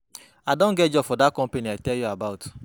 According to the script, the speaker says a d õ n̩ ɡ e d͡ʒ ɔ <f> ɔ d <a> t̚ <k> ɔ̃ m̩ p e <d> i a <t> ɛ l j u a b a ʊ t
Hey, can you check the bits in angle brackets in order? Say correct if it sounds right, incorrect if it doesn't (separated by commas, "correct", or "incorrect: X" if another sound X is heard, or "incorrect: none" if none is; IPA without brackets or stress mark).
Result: correct, correct, correct, incorrect: n, correct